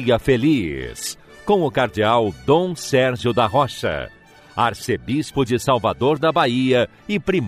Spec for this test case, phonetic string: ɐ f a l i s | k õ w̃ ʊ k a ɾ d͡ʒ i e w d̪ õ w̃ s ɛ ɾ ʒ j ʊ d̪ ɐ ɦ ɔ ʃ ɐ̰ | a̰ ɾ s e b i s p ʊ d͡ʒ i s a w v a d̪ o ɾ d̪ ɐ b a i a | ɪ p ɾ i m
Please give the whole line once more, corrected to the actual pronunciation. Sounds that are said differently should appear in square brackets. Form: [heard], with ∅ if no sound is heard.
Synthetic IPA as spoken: ɐ f [e] l i s | k õ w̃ ʊ k a ɾ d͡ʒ i [a] w d̪ õ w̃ s ɛ ɾ ʒ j ʊ d̪ ɐ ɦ ɔ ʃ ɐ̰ | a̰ ɾ s e b i s p ʊ d͡ʒ [ɪ] s a w v a d̪ o ɾ d̪ ɐ b a i [ɐ] | ɪ p ɾ i m